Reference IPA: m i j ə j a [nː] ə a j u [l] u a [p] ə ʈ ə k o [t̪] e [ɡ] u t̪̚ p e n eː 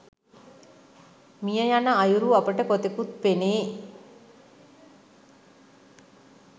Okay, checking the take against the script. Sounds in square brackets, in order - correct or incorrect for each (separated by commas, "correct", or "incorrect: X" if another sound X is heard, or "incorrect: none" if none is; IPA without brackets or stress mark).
incorrect: n, incorrect: ɾ, correct, correct, incorrect: k